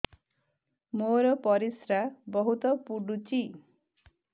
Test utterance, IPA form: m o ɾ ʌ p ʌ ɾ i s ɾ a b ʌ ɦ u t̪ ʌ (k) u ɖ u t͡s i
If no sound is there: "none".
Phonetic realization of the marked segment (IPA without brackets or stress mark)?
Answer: p